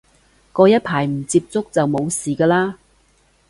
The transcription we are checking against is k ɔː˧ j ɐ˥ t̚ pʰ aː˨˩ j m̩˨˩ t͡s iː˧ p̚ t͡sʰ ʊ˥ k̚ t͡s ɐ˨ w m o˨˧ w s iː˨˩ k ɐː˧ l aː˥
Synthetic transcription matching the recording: k ɔː˧ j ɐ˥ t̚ pʰ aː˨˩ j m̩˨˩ t͡s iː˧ p̚ t͡s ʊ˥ k̚ t͡s ɐ˨ w m o˨˧ w s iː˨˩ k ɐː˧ l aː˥